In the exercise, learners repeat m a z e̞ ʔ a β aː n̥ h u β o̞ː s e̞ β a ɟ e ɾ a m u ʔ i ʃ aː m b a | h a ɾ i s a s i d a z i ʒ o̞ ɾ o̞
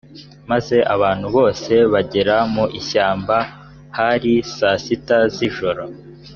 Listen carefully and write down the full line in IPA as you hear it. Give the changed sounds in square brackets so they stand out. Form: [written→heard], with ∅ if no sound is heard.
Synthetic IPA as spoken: m a z e̞ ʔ a β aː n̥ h u β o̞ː s e̞ β a ɟ e ɾ a m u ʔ i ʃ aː m b a | h a ɾ i s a s i [d→t] a z i ʒ o̞ ɾ o̞